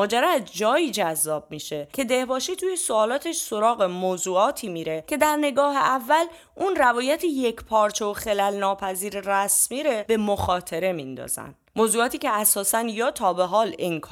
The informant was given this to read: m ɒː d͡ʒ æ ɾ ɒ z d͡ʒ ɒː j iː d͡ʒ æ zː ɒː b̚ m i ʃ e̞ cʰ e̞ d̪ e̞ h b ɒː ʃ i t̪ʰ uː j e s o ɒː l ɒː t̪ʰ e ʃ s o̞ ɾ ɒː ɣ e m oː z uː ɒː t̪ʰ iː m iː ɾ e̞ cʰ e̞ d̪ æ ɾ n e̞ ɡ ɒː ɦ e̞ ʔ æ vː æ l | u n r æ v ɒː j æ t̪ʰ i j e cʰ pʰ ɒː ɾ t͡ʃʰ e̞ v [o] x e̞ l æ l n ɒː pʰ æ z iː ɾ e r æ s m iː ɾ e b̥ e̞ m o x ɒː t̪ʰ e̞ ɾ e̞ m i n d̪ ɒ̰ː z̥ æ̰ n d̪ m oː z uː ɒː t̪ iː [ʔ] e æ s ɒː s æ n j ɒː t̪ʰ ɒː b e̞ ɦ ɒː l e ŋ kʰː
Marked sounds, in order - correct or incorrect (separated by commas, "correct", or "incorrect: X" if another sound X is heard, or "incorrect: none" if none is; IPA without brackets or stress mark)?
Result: correct, incorrect: c